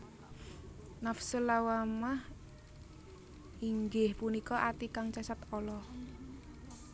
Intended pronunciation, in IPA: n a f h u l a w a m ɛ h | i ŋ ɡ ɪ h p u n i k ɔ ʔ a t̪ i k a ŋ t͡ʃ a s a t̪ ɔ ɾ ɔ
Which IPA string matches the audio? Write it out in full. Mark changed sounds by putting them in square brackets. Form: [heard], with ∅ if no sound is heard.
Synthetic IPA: n a f [s] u l a w a m [a] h | i ŋ ɡ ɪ h p u n i k ɔ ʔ a t̪ i k a ŋ t͡ʃ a s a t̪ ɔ [l] ɔ